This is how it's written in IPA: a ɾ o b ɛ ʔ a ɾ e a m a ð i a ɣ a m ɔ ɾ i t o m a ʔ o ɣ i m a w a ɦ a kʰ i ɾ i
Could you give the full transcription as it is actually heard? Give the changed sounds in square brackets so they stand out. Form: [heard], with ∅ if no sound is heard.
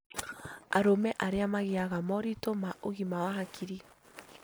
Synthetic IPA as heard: a ɾ o [m] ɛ ʔ a ɾ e a m a [ɣ] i a ɣ a m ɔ ɾ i t o m a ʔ o ɣ i m a w a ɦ a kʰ i ɾ i